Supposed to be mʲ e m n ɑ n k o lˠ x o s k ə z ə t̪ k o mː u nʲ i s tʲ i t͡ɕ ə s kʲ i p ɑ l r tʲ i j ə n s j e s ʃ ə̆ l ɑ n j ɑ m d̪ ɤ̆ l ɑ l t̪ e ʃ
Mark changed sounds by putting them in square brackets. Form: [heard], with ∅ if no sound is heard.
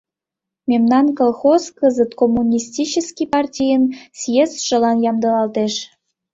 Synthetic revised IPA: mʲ e m n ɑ n k o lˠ x o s k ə z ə t̪ k o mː u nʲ i s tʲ i t͡ɕ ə s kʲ i p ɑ [∅] r tʲ i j ə n s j e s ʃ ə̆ l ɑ n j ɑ m d̪ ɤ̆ l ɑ l t̪ e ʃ

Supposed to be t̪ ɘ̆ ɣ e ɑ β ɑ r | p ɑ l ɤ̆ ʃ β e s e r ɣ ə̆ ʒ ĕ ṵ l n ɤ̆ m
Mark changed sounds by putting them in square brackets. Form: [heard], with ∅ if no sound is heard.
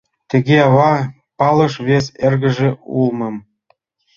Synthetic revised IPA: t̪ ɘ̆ ɣ e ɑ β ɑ [∅] | p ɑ l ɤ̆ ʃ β e s e r ɣ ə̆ ʒ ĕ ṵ l [m] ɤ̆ m

